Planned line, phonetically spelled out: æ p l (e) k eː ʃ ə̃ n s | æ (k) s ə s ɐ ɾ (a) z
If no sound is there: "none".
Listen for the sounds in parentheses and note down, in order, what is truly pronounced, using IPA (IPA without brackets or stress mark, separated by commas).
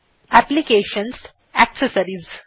i, k, i